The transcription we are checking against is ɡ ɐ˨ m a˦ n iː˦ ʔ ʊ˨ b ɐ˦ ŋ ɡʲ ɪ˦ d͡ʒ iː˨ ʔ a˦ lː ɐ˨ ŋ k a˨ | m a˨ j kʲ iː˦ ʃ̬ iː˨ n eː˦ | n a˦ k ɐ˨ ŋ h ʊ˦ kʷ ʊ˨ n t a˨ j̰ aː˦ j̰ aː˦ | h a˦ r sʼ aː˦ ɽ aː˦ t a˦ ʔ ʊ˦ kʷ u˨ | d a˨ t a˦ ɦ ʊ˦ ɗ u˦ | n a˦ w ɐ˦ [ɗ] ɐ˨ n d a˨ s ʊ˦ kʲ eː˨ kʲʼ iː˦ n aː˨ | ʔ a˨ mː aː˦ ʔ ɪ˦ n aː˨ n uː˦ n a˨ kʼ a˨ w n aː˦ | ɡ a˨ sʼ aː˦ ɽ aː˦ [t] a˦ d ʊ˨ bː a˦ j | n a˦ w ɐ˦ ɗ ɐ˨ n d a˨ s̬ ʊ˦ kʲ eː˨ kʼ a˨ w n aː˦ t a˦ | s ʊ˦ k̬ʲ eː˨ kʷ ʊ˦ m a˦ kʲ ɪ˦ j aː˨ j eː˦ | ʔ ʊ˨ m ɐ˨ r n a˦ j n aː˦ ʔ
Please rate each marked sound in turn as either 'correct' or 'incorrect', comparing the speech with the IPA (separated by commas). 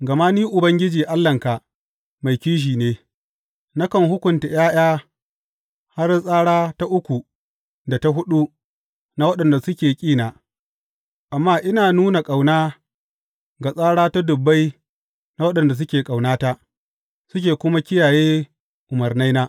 correct, correct